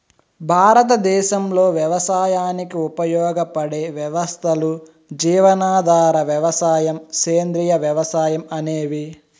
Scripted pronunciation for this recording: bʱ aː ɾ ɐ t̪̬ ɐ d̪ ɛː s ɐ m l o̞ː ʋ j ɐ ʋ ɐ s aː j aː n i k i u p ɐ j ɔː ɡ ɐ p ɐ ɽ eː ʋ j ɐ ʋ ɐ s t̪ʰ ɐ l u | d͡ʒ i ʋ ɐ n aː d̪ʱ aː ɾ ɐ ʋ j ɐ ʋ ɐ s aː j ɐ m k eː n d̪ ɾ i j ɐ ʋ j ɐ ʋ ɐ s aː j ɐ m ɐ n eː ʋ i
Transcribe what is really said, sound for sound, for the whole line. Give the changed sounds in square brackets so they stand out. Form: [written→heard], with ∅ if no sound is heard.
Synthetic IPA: bʱ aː ɾ ɐ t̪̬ ɐ d̪ ɛː [s→ʃ] ɐ m l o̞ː ʋ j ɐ ʋ ɐ s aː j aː n i k i u p ɐ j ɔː ɡ ɐ p ɐ ɽ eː ʋ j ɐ ʋ ɐ s t̪ʰ ɐ l u | d͡ʒ [i→iː] ʋ ɐ n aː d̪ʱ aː ɾ ɐ ʋ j ɐ ʋ ɐ s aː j ɐ m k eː n d̪ ɾ i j ɐ ʋ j ɐ ʋ ɐ s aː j ɐ m ɐ n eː ʋ i